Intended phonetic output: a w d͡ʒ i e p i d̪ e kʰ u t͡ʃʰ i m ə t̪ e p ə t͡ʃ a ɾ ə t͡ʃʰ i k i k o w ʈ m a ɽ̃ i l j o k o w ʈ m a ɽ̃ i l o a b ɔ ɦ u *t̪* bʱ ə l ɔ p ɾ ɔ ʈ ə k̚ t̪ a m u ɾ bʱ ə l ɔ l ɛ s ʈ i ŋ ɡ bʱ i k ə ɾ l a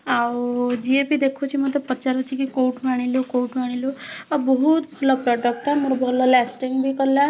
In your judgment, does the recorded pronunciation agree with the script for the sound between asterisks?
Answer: yes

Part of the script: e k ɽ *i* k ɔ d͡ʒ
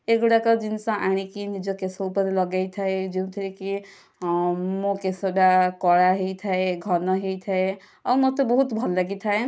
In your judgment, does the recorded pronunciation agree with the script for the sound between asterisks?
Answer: no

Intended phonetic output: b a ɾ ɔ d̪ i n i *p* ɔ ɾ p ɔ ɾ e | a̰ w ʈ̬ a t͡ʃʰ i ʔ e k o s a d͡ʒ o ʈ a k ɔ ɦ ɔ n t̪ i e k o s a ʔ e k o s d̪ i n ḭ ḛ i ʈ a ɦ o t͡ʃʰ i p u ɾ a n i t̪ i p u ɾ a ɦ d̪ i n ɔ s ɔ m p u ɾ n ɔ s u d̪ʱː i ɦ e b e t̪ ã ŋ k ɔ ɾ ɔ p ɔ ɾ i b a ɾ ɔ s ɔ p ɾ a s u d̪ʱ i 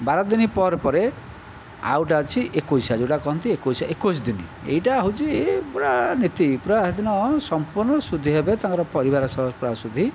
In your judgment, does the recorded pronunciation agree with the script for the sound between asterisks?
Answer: yes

